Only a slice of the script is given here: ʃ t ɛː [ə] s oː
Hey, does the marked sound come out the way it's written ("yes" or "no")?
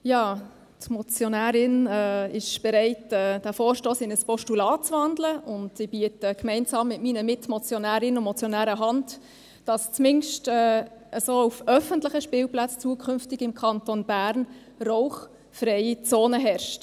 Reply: yes